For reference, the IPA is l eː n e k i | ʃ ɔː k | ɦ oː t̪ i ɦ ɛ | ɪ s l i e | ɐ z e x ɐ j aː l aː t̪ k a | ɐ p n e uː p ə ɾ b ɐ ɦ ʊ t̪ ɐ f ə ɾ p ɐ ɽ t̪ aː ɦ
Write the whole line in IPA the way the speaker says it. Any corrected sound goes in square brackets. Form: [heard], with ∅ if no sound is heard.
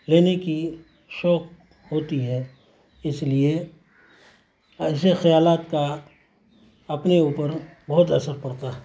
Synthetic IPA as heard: l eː n e k i | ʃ ɔː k | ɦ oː t̪ i ɦ ɛ | ɪ s l i e | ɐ [s] e x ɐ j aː l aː t̪ k a | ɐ p n e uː p ə ɾ b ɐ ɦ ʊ t̪ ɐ [s] ə ɾ p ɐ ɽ t̪ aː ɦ